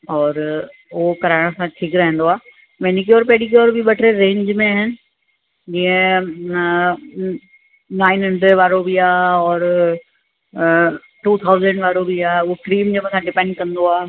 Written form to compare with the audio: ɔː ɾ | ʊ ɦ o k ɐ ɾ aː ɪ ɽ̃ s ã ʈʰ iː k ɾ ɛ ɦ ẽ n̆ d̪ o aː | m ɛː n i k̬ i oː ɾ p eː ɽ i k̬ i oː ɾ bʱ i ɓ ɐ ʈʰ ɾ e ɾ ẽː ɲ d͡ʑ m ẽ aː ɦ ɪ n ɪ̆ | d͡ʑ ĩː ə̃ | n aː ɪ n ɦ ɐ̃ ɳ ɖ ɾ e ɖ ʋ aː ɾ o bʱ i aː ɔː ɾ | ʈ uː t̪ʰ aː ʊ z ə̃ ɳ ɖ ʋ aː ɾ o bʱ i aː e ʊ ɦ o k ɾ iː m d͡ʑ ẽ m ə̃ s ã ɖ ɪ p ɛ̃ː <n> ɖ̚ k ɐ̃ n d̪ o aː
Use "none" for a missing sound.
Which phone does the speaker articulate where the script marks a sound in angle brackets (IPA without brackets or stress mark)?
ɳ